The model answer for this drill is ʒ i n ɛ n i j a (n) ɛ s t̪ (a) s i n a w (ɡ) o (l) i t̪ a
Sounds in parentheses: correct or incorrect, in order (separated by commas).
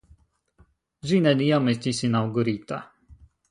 incorrect, incorrect, correct, incorrect